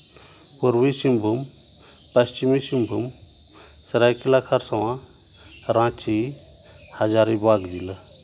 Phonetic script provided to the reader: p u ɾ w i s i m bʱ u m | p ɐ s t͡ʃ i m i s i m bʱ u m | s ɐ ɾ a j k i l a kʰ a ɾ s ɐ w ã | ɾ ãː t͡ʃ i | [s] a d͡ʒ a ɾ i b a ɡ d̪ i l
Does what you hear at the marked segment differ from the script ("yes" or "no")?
yes